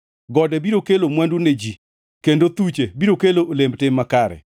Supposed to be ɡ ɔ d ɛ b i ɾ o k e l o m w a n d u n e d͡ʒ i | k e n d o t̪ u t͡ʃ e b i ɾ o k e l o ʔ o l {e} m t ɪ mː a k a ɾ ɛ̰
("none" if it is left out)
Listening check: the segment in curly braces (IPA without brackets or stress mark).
e